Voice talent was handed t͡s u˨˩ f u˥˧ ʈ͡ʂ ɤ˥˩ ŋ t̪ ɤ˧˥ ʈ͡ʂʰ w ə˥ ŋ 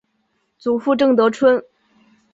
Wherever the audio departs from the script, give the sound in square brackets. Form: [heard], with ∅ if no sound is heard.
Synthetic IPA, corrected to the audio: t͡s u˨˩ f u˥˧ ʈ͡ʂ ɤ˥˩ ŋ t̪ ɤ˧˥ ʈ͡ʂʰ w ə˥ [n]